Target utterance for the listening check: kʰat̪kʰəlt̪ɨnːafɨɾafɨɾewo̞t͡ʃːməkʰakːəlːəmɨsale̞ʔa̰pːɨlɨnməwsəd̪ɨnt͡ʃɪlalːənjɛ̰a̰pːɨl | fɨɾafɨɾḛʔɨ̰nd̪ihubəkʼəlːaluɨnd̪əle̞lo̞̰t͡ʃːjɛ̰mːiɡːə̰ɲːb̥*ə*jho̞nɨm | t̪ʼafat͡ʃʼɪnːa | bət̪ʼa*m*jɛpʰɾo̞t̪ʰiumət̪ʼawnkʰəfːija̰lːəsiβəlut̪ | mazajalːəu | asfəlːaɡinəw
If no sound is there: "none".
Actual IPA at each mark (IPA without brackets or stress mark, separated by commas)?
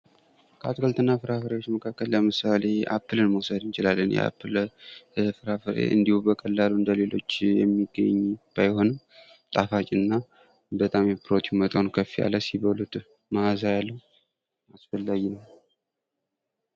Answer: a, m